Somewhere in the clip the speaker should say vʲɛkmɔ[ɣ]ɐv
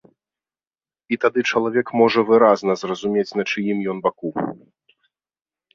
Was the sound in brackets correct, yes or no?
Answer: no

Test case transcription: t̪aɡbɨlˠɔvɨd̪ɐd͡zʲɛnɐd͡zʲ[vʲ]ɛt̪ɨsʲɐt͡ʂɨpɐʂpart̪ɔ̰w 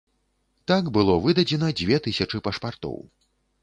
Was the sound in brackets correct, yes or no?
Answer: yes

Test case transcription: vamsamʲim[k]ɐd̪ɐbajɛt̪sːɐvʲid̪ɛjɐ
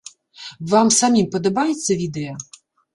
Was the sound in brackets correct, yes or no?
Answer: no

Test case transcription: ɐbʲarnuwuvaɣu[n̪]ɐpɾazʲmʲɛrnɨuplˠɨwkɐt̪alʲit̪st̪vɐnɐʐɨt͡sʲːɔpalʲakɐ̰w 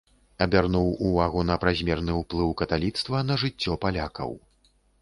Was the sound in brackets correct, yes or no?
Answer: yes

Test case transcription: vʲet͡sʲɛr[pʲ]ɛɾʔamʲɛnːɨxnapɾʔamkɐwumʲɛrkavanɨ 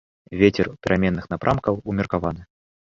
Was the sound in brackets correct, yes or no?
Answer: yes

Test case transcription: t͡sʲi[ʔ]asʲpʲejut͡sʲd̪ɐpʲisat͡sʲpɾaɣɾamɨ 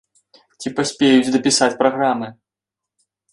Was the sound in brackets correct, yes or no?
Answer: no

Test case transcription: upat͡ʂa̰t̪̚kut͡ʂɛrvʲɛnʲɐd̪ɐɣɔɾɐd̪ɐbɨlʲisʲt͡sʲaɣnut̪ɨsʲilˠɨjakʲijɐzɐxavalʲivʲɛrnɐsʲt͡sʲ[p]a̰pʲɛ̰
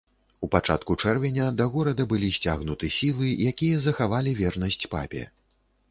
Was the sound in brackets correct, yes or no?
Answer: yes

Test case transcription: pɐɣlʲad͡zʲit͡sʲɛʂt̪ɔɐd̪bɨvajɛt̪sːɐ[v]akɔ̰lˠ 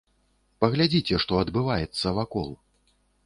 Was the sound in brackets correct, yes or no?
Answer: yes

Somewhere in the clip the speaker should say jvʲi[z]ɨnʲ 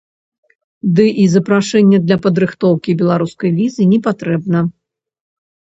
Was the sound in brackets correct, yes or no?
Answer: yes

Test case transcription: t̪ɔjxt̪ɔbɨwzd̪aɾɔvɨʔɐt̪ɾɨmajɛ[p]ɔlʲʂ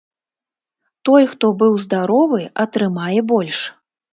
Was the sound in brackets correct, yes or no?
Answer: no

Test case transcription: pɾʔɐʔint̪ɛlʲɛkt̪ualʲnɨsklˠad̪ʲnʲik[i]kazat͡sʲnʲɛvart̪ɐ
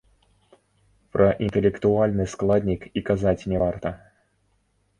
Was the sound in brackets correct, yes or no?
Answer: yes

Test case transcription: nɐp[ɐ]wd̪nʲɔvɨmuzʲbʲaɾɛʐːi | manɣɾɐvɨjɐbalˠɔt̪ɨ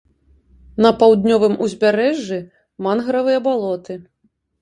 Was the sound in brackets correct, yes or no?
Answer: no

